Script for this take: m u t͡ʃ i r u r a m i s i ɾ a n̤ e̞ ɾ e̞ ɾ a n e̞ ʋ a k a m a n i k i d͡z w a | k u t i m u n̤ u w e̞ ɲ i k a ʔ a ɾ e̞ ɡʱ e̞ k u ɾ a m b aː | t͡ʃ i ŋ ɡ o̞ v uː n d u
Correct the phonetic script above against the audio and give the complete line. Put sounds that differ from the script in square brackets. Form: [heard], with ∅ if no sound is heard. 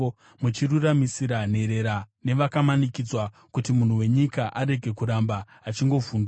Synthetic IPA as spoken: m u t͡ʃ i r u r a m i s i ɾ a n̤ e̞ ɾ e̞ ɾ a n e̞ ʋ a k a m a n i k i d͡z w a | k u t i m u n̤ u w e̞ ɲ i k a ʔ a ɾ e̞ ɡʱ e̞ k u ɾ a m b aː | t͡ʃ i ŋ ɡ o̞ v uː n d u